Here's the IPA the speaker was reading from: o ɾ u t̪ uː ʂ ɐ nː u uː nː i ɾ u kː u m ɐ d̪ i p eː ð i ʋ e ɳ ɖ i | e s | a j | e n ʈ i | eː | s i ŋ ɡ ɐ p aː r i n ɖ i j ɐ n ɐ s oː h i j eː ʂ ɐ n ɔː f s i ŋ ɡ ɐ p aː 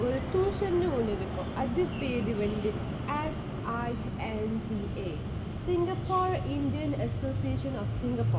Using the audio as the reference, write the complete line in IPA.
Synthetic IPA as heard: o ɾ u t̪ uː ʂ ɐ nː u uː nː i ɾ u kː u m ɐ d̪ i p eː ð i ʋ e ɳ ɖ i | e s | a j | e n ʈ i | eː | s i ŋ ɡ ɐ p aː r i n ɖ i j ɐ n ɐ s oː s i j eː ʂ ɐ n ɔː f s i ŋ ɡ ɐ p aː